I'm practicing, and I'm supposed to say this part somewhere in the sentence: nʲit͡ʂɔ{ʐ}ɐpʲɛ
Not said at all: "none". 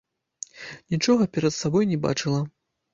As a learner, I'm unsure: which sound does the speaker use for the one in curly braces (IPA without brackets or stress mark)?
ɣ